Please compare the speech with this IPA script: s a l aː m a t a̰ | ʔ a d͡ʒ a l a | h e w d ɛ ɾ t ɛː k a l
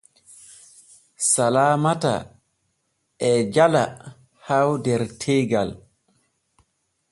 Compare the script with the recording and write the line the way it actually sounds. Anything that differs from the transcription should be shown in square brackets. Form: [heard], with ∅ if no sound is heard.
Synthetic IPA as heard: s a l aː m a t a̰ | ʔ [ɛ] d͡ʒ a l a | h [a] w d ɛ ɾ [tʰ] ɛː [ɡ] a l